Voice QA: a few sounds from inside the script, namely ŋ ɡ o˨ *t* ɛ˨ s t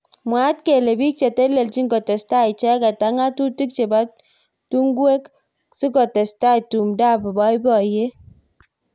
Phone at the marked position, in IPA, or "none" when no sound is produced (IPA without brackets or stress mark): t